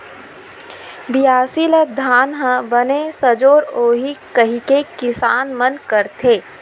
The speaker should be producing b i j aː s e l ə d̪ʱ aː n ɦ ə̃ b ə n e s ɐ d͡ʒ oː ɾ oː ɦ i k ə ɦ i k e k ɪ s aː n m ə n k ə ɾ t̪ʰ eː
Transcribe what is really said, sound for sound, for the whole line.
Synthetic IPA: b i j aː s i l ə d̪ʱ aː n ɦ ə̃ b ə n e s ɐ d͡ʒ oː ɾ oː ɦ i k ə ɦ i k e k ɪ s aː n m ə n k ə ɾ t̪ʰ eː